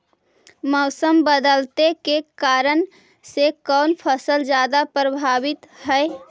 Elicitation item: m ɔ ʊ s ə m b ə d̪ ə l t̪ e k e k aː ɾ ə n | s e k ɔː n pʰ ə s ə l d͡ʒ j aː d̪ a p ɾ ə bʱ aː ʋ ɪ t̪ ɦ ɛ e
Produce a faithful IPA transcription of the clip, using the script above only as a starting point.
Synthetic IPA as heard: m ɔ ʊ s ə m b ə d̪ ə l t̪ e k e k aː ɾ ə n | s e k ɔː n pʰ ə s ə l d͡ʒ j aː d̪ a p ɾ ə bʱ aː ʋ ɪ t̪ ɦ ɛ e

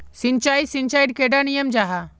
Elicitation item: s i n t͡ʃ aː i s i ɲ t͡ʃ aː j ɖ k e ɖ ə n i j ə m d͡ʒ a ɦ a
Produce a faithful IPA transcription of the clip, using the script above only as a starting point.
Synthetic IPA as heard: s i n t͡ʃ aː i s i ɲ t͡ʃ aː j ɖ k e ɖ a n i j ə m d͡ʒ a ɦ a

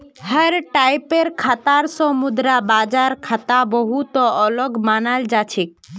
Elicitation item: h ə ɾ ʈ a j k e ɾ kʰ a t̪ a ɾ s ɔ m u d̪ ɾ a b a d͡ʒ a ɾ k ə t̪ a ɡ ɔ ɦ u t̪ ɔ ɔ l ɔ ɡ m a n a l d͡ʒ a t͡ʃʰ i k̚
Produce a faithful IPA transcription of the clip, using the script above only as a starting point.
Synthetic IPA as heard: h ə ɾ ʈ a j p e ɾ kʰ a t̪ a ɾ s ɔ m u d̪ ɾ a b a d͡ʒ a ɾ kʰ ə t̪ a b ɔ ɦ u t̪ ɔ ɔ l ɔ ɡ m a n a l d͡ʒ a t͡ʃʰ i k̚

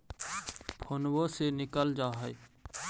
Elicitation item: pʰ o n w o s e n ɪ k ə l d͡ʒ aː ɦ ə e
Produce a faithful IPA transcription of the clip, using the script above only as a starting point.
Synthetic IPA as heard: pʰ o n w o s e n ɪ k ə l d͡ʒ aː ɦ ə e

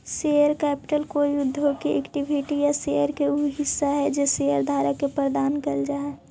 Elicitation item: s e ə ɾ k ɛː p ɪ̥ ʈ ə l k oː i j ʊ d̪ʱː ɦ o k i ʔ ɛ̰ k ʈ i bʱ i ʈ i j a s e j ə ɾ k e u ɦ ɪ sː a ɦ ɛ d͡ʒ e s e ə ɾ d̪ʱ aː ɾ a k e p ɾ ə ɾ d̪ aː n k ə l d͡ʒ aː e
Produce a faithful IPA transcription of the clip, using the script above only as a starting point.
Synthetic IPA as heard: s e ə ɾ k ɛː p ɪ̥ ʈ ə l k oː i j ʊ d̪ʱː ɦ o k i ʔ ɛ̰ k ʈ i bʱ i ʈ i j a s e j ə ɾ k e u ɦ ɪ sː a ɦ ɛ d͡ʒ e s e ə ɾ d̪ʱ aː ɾ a k e p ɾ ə ɾ d̪ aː n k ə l d͡ʒ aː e

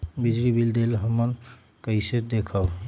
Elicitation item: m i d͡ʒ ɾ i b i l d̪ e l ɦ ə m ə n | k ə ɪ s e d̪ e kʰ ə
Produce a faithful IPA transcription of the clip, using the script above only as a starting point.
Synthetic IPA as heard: b i d͡ʒ ɾ i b i l d̪ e l ɦ ə m ə n | k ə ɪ s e d̪ e kʰ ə

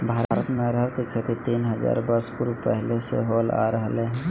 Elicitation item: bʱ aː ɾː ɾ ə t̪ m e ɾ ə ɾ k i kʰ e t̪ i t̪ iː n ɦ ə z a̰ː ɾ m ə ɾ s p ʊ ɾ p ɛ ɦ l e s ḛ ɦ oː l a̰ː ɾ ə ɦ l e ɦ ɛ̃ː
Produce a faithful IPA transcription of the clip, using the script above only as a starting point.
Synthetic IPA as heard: bʱ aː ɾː ɾ ə t̪ m e ɾ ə ɾ k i kʰ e t̪ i t̪ iː n ɦ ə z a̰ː ɾ b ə ɾ s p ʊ ɾ p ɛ ɦ l e s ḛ ɦ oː l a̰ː ɾ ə ɦ l e ɦ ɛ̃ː

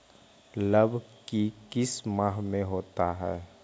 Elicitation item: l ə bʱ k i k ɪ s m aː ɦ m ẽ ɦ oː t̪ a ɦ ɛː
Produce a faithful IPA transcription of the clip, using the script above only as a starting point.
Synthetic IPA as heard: l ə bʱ k i k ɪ s m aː ɦ m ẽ ɦ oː t̪ a ɦ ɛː

